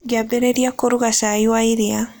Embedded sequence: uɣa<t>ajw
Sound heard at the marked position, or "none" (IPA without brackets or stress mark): s